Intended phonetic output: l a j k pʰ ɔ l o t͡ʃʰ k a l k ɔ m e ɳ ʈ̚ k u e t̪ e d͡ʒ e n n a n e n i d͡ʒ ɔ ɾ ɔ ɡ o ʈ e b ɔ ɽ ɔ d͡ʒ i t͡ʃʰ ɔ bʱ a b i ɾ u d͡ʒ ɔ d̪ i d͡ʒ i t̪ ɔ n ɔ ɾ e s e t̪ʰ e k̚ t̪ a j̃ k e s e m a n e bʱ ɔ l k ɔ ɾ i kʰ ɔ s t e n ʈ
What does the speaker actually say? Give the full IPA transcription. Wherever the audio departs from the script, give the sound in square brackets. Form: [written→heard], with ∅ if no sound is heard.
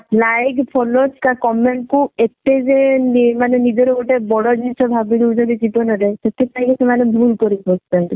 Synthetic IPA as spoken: l a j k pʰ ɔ l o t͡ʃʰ k a [l→∅] k ɔ m e ɳ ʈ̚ k u e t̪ e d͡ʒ e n [n→m] a n e n i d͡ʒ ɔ ɾ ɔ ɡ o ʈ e b ɔ ɽ ɔ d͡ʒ i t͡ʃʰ ɔ bʱ a b i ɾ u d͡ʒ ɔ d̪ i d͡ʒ i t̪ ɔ n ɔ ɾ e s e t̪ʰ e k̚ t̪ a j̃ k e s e m a n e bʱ [ɔ→u] l k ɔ ɾ i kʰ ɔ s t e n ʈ

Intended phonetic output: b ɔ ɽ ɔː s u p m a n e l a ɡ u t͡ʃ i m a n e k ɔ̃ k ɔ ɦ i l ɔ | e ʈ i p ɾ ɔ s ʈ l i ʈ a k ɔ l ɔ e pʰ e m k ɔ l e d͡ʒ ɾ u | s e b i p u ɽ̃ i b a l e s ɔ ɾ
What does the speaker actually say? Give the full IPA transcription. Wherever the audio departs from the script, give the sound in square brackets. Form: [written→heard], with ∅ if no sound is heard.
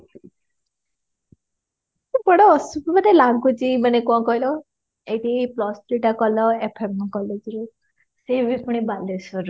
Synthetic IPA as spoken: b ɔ ɽ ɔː s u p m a n e l a ɡ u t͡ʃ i m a n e k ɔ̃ k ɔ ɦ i l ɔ | e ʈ i p [ɾ→l] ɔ s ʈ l i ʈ a k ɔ l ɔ e pʰ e m k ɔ l e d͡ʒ ɾ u | s e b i p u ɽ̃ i b a l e s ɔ ɾ

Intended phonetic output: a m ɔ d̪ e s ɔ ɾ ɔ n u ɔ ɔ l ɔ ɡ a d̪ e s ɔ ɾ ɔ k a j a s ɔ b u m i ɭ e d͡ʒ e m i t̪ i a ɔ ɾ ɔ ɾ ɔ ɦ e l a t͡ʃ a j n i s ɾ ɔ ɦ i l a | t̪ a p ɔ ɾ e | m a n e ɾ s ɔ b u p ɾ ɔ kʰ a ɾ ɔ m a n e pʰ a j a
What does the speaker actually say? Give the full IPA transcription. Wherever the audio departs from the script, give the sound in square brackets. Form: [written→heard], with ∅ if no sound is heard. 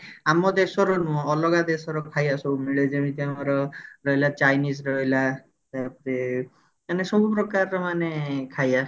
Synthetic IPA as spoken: a m ɔ d̪ e s ɔ ɾ ɔ n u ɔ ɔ l ɔ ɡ a d̪ e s ɔ ɾ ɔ [k→kʰ] a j a s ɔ b u m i ɭ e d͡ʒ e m i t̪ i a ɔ ɾ ɔ ɾ ɔ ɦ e l a t͡ʃ a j n i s ɾ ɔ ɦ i l a | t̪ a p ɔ ɾ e | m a n e [ɾ→∅] s ɔ b u p ɾ ɔ [kʰ→k] a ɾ ɔ m a n e [pʰ→kʰ] a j a

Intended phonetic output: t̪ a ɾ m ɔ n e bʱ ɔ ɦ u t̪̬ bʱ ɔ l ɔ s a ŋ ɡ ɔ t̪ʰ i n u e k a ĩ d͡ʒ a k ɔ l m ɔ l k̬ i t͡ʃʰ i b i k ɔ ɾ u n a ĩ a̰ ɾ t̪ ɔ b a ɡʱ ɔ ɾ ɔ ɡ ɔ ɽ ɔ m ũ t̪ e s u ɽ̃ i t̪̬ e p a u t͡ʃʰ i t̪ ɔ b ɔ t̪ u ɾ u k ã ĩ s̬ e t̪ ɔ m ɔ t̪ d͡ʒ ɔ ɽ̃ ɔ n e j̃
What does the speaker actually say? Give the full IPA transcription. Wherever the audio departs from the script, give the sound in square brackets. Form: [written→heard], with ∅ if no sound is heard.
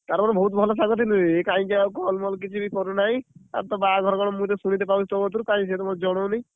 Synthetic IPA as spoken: t̪ a ɾ m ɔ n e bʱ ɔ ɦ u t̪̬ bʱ ɔ l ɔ s a ŋ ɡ ɔ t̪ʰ i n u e k a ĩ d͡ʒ a k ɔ l m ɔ l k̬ i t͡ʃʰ i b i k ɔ ɾ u n a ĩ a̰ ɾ t̪ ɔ b a ɡʱ ɔ ɾ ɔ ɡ ɔ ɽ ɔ m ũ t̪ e s u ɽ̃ i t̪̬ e p a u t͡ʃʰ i t̪ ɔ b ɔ t̪ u ɾ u k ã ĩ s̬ e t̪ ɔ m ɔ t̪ d͡ʒ ɔ ɽ̃ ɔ n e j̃

